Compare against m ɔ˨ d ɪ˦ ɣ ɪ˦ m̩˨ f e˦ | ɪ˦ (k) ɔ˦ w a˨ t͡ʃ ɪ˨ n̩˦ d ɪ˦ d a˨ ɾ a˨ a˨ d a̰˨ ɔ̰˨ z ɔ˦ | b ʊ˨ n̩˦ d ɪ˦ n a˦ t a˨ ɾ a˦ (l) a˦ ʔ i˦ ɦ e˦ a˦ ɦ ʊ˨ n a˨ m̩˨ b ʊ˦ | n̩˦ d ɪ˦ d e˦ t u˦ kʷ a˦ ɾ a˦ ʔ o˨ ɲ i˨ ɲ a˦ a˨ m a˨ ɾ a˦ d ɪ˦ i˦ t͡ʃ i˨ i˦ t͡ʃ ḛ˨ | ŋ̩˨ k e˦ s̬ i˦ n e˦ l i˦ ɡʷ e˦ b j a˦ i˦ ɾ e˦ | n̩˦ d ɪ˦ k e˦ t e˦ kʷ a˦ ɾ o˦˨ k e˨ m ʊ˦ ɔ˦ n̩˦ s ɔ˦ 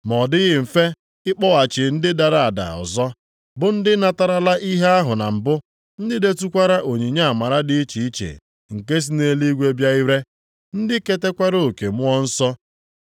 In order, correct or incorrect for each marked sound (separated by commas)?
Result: incorrect, correct